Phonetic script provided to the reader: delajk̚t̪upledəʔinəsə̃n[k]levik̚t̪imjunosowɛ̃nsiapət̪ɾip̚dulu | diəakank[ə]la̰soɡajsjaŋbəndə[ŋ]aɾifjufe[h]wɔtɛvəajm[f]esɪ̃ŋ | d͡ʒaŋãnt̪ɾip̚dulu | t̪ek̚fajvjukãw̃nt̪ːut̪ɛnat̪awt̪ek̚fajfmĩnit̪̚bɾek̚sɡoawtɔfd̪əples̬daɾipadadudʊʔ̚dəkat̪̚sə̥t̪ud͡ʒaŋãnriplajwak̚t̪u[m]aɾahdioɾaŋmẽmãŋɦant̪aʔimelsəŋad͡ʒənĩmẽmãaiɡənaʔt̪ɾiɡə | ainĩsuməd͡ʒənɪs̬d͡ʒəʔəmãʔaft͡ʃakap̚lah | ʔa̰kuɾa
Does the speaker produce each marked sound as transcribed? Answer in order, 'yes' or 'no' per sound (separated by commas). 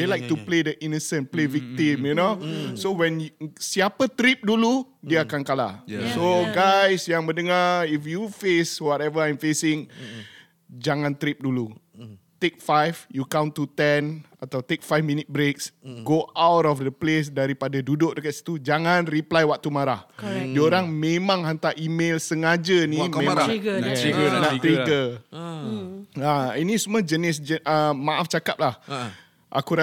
no, no, yes, no, yes, yes